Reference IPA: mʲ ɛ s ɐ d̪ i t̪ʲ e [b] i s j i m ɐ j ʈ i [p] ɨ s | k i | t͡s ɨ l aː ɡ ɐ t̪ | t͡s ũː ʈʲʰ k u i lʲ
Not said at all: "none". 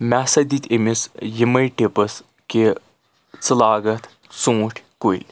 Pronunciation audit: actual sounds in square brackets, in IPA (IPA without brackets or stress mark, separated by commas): m, p